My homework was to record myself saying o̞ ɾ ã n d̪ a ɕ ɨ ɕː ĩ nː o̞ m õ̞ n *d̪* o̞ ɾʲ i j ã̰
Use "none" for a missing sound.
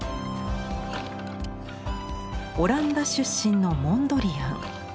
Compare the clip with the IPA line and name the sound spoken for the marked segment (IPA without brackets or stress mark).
d̪